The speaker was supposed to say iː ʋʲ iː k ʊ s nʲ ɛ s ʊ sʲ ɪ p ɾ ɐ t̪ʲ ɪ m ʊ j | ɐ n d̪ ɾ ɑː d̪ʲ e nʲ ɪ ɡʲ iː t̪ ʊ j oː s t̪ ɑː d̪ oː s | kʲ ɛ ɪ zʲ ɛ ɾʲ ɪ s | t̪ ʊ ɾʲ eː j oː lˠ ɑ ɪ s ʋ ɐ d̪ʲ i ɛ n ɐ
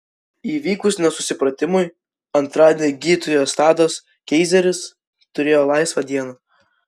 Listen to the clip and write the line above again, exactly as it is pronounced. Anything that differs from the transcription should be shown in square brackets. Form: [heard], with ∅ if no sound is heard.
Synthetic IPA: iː ʋʲ iː k ʊ s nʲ ɛ s ʊ sʲ ɪ p ɾ ɐ t̪ʲ ɪ m ʊ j | ɐ n [t̪] ɾ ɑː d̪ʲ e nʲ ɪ ɡʲ iː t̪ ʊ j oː s t̪ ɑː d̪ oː s | kʲ ɛ ɪ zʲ ɛ ɾʲ ɪ s | t̪ ʊ ɾʲ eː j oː lˠ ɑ ɪ s ʋ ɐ d̪ʲ i ɛ n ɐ